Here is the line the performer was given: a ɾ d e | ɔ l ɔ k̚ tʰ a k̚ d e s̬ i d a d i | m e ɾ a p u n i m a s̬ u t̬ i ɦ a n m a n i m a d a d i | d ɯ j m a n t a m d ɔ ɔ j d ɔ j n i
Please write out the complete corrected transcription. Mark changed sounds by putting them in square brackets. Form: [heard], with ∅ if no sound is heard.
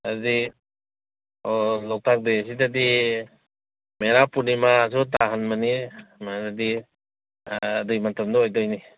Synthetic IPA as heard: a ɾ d [i] | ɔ l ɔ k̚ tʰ a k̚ d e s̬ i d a d i | m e ɾ a p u n i m a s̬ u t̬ [a] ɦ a n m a n i m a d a d i | d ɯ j m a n t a m d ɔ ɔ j d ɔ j n i